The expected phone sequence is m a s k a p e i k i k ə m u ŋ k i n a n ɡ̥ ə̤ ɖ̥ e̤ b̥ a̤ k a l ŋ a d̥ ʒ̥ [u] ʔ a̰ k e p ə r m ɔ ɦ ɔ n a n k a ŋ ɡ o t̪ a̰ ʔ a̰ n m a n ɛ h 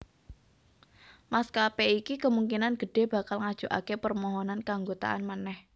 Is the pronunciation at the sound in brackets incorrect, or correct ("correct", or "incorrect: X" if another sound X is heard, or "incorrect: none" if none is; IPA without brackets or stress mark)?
correct